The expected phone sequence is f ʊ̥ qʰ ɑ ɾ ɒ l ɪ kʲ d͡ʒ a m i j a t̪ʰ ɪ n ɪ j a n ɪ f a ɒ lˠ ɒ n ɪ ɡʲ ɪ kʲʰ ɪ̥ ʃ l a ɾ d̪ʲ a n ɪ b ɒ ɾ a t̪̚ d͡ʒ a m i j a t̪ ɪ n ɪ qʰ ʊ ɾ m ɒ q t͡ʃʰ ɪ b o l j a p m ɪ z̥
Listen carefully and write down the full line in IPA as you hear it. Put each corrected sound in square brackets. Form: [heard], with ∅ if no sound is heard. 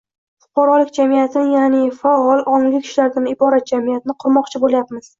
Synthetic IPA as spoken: f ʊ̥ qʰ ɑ ɾ ɒ l ɪ kʲ d͡ʒ a m i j a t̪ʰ ɪ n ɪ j a n ɪ f a ɒ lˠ ɒ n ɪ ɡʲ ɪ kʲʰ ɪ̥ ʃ l a ɾ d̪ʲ a n ɪ b ɒ ɾ a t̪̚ d͡ʒ a m i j a t̪ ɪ n ɪ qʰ ʊ ɾ m ɒ q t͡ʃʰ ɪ b o l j a p m ɪ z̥

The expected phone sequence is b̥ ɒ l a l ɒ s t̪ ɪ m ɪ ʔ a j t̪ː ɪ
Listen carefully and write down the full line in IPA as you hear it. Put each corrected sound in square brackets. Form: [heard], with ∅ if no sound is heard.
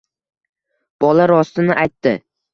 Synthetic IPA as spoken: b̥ ɒ l a [ɾ] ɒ s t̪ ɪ [n] ɪ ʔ a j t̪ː ɪ

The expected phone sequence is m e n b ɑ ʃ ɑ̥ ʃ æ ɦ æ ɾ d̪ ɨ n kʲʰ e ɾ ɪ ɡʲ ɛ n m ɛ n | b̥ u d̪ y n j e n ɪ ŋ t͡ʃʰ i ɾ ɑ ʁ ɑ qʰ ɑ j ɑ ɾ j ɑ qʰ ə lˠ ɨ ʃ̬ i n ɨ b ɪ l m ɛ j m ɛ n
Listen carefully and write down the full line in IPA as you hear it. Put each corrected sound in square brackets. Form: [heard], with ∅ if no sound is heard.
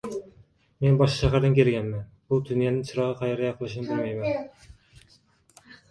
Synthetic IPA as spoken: m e n b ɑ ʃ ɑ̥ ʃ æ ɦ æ ɾ d̪ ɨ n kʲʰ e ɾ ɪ ɡʲ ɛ n m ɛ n | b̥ u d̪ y n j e n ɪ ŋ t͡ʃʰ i ɾ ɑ ʁ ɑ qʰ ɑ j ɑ ɾ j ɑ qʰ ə lˠ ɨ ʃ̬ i n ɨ b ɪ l m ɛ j m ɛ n

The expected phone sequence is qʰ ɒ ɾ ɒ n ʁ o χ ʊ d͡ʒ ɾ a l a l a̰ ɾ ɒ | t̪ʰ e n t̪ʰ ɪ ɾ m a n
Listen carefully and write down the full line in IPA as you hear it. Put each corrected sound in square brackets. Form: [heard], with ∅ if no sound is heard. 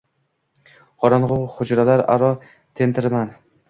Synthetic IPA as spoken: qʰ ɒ ɾ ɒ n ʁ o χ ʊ d͡ʒ ɾ a l a [ɾ] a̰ ɾ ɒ | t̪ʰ e n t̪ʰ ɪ ɾ m a n

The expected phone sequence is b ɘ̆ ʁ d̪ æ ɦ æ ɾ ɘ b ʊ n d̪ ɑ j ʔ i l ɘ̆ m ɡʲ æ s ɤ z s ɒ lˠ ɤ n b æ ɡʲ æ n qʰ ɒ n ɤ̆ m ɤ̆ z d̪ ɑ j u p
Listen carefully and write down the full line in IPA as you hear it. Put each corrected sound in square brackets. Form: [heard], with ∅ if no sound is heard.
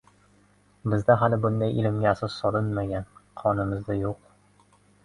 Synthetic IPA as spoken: b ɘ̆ [z] d̪ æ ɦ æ [l] ɘ b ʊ n d̪ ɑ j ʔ i l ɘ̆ m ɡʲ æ s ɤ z s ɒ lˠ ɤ n [m] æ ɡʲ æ n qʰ ɒ n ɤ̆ m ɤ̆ z d̪ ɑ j u [q]

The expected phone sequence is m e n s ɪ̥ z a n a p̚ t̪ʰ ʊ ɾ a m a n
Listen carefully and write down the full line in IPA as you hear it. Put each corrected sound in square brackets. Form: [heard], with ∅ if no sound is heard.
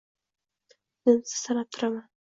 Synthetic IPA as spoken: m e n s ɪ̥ [s] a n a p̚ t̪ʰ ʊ ɾ a m a n

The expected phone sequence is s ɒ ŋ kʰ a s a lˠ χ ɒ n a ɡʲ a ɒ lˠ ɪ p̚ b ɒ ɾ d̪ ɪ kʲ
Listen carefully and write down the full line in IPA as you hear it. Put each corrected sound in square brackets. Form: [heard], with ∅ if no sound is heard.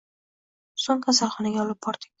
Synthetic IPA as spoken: s [o] ŋ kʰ a s a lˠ χ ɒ n a ɡʲ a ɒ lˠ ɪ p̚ b ɒ ɾ d̪ ɪ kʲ

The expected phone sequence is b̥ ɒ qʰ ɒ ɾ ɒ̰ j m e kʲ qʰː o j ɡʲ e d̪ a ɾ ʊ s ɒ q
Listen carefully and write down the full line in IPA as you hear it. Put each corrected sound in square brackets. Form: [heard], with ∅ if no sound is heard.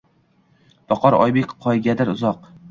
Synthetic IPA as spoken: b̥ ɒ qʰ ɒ ɾ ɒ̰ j [b] e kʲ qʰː [ɒ] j ɡʲ [a] d̪ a ɾ ʊ [z] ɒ q

